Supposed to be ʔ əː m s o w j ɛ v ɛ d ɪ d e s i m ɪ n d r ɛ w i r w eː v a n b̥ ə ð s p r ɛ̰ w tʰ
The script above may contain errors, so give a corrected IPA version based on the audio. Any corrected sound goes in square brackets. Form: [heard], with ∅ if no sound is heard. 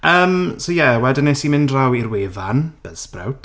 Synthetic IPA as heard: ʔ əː m s o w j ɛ [w] ɛ d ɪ [n] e s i m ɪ n d r [a] w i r w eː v a n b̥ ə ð s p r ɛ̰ w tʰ